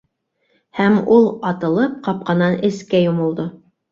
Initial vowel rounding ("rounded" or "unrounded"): unrounded